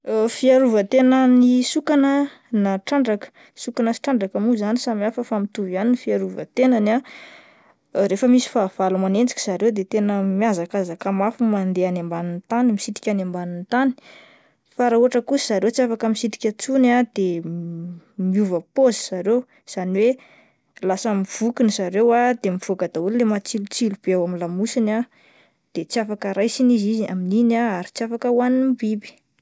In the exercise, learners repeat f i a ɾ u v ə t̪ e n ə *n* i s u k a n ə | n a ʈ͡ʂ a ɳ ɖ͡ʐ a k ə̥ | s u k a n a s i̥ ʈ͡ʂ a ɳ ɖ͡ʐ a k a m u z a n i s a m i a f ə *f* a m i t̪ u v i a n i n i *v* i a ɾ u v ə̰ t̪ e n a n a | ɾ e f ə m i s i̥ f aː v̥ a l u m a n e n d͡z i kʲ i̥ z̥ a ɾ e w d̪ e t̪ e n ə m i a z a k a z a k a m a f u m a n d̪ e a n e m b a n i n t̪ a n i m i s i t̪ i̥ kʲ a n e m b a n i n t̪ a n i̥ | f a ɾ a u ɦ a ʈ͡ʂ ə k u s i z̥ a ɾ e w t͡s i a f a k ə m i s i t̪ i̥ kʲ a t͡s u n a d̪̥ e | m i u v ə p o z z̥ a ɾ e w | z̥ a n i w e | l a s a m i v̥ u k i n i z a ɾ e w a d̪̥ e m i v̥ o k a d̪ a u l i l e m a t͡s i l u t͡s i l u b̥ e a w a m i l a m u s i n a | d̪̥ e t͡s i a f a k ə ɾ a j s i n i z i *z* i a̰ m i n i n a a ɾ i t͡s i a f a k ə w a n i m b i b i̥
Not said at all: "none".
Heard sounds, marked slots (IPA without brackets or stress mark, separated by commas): n, f, f, z